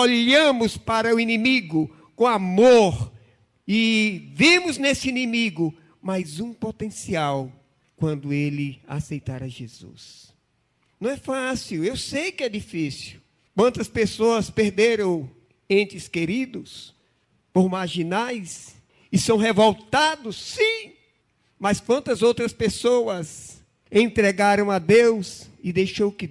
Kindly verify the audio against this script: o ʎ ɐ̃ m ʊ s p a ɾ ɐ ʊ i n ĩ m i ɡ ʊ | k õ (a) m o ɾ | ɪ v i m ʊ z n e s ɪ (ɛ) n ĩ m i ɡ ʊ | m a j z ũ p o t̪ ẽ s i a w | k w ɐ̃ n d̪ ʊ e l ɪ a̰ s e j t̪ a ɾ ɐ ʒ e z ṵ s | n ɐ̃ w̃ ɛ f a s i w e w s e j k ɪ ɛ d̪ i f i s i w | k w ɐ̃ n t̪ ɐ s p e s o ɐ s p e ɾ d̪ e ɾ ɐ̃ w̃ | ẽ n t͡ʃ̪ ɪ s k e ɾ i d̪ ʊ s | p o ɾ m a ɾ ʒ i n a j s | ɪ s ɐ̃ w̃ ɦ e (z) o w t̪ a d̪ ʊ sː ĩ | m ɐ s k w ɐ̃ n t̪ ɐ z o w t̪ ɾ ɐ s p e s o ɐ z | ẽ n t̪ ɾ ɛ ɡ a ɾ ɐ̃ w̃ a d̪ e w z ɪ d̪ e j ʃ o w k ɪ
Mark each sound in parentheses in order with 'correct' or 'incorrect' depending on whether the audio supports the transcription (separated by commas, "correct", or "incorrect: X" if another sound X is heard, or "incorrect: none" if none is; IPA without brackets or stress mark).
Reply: correct, incorrect: i, incorrect: v